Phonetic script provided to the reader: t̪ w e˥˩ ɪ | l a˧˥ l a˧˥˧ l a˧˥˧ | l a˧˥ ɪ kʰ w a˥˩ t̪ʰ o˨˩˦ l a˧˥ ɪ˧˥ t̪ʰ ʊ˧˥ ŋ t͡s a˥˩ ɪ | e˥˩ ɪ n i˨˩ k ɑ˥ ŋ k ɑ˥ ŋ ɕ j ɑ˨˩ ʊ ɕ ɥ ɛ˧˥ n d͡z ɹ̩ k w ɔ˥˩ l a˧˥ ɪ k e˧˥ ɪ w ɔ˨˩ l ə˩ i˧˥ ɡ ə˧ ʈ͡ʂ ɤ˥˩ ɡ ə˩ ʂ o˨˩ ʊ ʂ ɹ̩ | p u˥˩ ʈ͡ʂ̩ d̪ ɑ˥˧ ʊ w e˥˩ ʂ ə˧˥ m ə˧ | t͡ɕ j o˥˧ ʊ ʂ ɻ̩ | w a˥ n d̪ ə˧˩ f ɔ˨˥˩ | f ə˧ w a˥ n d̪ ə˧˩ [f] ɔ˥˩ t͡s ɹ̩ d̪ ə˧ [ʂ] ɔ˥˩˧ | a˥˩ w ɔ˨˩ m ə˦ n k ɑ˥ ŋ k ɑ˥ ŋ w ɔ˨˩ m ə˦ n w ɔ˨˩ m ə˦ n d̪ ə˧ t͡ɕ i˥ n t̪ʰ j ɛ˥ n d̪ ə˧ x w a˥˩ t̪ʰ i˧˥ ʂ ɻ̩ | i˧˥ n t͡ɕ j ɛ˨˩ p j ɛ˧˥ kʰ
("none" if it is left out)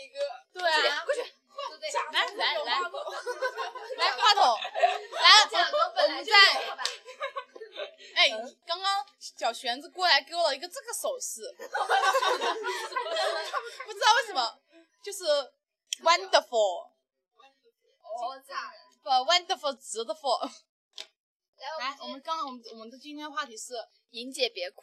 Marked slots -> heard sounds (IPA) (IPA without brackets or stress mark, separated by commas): f, f